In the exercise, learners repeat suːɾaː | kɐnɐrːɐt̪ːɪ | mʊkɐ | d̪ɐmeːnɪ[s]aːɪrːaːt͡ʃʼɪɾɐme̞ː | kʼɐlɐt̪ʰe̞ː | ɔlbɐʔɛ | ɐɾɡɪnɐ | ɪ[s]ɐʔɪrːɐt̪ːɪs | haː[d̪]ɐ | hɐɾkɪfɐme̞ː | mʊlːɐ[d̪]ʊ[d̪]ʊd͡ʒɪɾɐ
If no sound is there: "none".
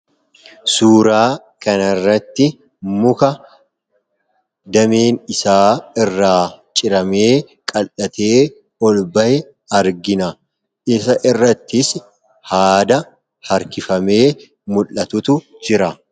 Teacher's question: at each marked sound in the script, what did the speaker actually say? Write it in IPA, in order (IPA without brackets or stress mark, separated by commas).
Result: s, s, d̪, t̪, t̪